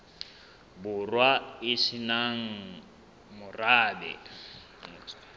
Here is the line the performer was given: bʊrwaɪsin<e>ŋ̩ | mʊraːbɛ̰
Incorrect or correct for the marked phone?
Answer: incorrect: a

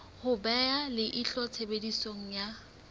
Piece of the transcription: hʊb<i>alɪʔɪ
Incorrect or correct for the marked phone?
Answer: incorrect: ɛ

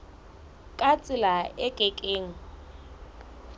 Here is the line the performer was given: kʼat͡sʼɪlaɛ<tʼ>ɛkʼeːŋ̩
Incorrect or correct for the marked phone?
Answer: incorrect: kʼ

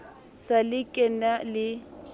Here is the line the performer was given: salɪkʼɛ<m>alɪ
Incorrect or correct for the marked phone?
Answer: incorrect: n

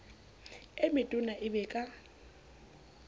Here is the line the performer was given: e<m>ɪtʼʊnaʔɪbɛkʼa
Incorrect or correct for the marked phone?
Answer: correct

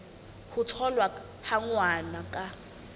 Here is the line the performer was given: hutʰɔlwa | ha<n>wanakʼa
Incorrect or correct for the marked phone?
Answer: incorrect: ŋ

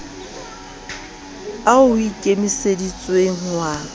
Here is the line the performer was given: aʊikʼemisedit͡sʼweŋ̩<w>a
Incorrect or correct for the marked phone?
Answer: correct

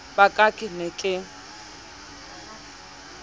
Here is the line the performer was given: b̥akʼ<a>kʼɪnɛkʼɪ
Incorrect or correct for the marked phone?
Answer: correct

